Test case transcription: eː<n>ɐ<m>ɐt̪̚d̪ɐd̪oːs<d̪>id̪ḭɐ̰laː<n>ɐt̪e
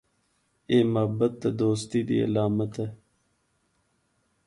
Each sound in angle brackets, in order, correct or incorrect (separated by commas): incorrect, incorrect, incorrect, incorrect